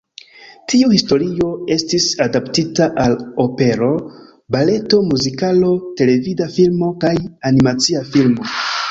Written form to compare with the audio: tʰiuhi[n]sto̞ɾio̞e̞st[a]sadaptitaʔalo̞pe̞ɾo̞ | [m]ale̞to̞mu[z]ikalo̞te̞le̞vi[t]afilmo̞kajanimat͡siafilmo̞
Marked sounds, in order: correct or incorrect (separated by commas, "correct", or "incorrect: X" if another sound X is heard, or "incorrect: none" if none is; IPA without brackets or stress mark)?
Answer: incorrect: none, incorrect: i, incorrect: b, correct, incorrect: d